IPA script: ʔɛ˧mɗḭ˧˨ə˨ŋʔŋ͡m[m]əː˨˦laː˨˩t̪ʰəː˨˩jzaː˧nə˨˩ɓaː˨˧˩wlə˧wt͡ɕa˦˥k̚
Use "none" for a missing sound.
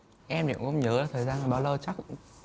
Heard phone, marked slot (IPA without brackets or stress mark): ɲ